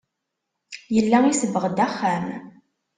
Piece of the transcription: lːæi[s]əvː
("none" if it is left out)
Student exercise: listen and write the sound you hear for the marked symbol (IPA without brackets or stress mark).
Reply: s